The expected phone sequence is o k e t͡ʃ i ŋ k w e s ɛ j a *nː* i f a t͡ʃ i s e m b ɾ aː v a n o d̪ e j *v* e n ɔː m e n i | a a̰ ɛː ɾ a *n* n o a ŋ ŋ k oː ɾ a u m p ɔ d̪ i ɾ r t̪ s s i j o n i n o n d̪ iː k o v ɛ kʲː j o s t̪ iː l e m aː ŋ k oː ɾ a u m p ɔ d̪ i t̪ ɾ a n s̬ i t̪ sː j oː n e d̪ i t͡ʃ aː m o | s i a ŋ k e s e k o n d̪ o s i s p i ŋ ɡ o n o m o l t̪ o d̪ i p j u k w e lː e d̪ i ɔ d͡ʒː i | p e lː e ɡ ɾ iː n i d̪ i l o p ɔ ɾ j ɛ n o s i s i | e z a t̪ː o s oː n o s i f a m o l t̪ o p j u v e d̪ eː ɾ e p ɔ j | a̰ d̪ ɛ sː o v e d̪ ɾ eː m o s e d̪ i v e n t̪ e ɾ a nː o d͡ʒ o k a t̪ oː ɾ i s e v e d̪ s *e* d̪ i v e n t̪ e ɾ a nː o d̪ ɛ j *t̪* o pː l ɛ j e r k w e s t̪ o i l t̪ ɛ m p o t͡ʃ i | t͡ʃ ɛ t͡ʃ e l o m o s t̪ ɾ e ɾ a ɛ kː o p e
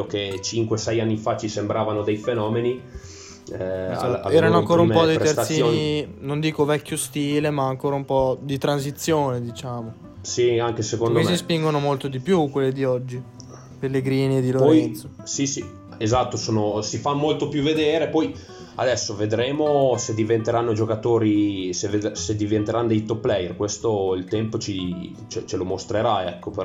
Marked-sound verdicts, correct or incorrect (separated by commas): correct, incorrect, correct, correct, correct